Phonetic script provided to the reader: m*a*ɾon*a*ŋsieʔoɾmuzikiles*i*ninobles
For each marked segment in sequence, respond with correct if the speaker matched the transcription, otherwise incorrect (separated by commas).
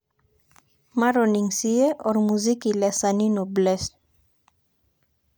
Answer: correct, incorrect, incorrect